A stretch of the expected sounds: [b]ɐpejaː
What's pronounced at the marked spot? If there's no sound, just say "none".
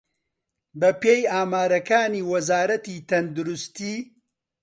b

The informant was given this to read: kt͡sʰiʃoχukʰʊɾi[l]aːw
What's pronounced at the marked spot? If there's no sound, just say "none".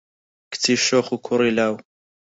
l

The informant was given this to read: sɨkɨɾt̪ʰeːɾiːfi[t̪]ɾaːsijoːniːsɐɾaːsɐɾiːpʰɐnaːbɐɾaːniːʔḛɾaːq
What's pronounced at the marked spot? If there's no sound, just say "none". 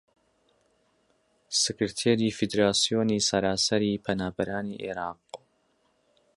d̪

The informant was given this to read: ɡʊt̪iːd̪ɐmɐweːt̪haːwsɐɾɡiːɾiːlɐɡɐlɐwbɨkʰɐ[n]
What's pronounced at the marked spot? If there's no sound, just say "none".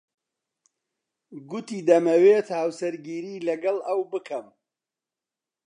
m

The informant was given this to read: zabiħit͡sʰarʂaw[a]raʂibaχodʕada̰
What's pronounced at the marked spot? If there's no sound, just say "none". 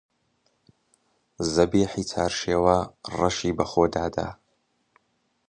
a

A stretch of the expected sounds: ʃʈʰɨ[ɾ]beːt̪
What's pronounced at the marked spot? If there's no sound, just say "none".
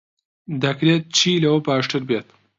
ɾ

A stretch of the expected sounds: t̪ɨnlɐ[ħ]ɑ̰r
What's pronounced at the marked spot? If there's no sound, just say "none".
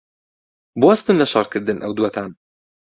ʃ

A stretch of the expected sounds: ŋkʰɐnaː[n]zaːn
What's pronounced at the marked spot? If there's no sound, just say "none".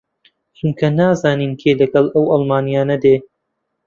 none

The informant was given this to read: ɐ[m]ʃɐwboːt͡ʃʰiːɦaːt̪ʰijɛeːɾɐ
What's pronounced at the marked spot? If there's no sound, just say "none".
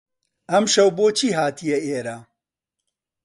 m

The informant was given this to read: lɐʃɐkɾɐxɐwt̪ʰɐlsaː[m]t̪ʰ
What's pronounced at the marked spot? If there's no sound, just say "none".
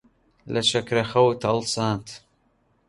n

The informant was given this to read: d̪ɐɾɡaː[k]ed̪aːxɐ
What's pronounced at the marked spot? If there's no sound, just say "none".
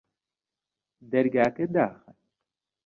k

